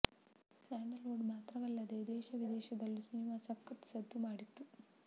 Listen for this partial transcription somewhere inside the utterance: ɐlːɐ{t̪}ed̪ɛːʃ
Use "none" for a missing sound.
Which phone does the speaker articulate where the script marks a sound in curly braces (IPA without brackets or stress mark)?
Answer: d̪